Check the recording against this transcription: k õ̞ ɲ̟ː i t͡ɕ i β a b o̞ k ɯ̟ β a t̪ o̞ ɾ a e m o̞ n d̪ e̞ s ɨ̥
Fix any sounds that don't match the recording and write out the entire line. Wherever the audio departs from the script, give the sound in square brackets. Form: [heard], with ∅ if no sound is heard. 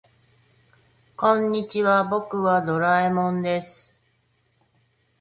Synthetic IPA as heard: k õ̞ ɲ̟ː i t͡ɕ i β a b o̞ k ɯ̟ β a [d̪] o̞ ɾ a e m [õ̞] n d̪ e̞ s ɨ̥